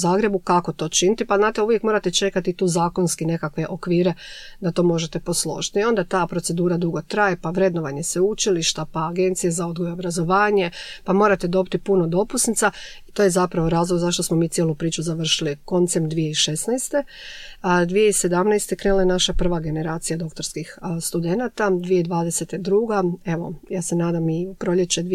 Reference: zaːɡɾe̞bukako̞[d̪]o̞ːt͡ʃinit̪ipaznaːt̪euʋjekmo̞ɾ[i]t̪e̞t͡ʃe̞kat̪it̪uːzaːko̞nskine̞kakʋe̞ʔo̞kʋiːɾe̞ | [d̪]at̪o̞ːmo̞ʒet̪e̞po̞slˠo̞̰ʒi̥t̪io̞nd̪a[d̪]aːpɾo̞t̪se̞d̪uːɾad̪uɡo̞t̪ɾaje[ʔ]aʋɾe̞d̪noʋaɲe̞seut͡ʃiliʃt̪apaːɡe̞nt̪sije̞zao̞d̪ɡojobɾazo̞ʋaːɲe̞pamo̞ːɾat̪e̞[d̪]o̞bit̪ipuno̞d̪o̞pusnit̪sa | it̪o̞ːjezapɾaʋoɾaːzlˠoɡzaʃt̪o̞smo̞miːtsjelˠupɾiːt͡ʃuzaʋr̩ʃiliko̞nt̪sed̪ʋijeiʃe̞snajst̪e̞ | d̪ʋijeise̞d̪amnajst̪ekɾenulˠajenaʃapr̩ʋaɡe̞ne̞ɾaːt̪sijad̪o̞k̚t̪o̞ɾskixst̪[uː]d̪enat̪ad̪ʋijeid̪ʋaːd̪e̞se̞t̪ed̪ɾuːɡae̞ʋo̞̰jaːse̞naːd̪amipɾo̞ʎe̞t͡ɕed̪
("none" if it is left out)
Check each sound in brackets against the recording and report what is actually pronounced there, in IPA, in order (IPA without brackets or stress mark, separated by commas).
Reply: t̪, a, d̪, t̪, p, d̪, u